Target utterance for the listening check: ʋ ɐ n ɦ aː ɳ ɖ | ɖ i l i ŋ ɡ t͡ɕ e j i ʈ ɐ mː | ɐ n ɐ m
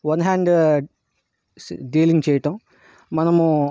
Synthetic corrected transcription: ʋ ɐ n ɦ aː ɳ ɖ | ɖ iː l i ŋ ɡ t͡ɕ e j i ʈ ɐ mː | ɐ n ɐ m